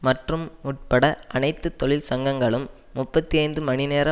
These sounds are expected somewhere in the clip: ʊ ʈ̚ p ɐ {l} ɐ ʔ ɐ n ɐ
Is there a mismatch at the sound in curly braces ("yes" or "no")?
yes